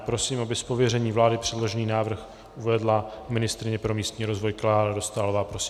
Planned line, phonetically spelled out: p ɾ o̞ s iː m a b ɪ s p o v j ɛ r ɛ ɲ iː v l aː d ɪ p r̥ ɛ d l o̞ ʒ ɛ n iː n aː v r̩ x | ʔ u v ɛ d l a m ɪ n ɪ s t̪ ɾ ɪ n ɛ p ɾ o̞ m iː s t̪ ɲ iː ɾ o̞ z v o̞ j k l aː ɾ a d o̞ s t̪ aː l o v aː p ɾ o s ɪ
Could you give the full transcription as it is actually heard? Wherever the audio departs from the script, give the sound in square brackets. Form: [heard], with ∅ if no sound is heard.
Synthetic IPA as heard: p ɾ o̞ s iː m a b ɪ s p o v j ɛ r ɛ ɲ iː v l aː d ɪ p r̥ ɛ d l o̞ ʒ ɛ n iː n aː v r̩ x | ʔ u v ɛ d l a m ɪ n ɪ s t̪ ɾ ɪ [ɲ] ɛ p ɾ o̞ m iː s t̪ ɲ iː ɾ o̞ z v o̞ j k l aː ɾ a d o̞ s t̪ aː l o v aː p ɾ o s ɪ